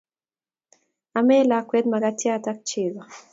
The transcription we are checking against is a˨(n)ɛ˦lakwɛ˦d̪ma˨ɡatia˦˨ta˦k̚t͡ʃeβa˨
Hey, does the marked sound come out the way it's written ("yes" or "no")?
no